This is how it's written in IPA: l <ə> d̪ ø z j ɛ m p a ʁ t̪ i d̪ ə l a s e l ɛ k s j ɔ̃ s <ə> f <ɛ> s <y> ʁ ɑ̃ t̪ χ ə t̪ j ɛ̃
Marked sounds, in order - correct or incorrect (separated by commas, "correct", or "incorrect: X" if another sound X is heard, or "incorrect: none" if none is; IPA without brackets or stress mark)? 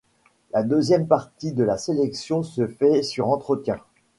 incorrect: a, correct, correct, correct